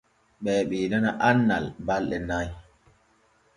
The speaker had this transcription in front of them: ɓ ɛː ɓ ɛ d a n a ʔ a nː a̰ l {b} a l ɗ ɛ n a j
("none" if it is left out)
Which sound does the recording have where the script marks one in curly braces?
b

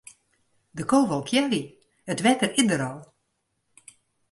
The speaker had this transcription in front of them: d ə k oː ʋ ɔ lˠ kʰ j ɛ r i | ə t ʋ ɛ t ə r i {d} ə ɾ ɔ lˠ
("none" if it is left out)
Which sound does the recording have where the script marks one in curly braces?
d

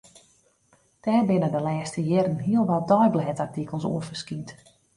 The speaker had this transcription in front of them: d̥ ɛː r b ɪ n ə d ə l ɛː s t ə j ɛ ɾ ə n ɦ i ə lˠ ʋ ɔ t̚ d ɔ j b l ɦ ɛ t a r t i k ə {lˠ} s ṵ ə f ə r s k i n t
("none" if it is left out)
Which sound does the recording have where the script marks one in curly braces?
lˠ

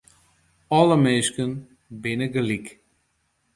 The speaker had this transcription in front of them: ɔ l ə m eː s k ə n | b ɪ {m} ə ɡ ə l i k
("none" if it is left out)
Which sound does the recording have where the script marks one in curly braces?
n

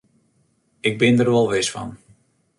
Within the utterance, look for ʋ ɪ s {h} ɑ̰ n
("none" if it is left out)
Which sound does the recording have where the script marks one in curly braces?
f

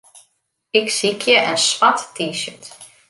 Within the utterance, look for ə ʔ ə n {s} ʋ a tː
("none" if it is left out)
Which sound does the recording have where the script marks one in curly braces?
s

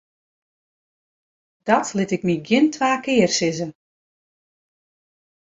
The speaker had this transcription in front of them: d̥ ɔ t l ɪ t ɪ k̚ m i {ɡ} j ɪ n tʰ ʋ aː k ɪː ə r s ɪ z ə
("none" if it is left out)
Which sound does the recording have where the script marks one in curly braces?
ɡ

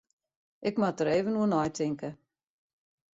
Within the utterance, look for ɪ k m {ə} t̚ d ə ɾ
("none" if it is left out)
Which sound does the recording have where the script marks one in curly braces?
a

